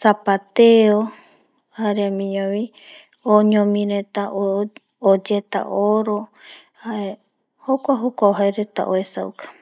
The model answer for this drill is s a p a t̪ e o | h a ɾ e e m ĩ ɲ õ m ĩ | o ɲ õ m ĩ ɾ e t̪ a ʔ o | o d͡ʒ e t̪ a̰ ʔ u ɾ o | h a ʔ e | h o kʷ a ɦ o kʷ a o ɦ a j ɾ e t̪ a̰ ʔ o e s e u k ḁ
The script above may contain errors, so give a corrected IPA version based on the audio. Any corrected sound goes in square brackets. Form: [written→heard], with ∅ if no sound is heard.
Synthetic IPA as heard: s a p a t̪ e o | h a ɾ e [e→a] m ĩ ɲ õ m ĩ | o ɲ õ m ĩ ɾ e t̪ a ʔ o | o d͡ʒ e t̪ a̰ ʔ [u→o] ɾ o | h a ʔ e | h o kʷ a ɦ o kʷ a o ɦ a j ɾ e t̪ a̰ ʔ o e s [e→a] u k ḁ